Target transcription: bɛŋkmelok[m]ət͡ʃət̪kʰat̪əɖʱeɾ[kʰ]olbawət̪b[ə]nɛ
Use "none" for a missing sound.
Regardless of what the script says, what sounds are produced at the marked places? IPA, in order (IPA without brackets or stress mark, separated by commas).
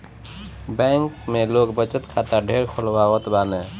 b, kʰ, a